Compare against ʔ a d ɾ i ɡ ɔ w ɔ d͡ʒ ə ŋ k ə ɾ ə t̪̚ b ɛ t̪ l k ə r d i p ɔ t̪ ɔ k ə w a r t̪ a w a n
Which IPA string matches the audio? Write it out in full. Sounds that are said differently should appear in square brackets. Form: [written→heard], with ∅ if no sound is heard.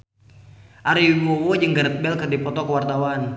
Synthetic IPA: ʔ a [d→∅] ɾ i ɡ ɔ w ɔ d͡ʒ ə ŋ [k→ɡ] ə ɾ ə t̪̚ b ɛ [t̪→∅] l k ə r d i p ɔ t̪ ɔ k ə w a r t̪ a w a n